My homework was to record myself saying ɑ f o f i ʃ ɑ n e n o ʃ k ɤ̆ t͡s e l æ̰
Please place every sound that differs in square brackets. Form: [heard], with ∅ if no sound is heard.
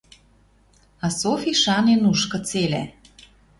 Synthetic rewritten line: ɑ [s] o f i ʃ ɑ n e n [u] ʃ k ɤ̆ t͡s e l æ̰